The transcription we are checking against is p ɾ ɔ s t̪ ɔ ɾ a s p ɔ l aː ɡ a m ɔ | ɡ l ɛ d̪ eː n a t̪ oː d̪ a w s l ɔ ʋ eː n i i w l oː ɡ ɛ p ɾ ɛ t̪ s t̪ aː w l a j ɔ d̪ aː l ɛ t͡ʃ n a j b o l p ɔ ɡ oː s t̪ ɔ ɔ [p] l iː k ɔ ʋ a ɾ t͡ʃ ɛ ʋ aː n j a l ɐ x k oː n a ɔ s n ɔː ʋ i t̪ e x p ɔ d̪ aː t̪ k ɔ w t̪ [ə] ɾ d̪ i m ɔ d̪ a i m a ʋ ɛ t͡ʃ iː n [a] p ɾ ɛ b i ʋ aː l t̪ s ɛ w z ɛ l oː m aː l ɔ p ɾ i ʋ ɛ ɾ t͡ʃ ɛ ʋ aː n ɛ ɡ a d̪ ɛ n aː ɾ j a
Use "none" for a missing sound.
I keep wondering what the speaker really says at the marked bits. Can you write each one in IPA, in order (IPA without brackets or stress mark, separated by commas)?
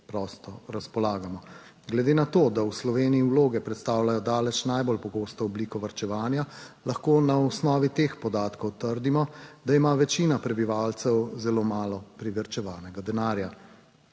b, ə, a